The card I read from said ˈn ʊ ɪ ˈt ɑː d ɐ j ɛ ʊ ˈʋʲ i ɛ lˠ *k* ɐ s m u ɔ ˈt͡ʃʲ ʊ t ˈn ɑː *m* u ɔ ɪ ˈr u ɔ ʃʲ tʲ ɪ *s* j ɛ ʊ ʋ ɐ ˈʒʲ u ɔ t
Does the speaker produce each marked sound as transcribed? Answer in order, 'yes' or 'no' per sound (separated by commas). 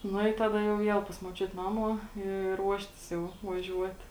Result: no, yes, yes